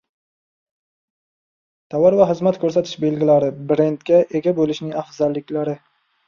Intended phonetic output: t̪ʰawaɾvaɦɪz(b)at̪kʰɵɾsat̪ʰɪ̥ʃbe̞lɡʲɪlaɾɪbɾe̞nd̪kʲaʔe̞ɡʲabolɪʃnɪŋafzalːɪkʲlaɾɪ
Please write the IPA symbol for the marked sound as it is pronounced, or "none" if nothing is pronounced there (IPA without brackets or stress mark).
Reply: m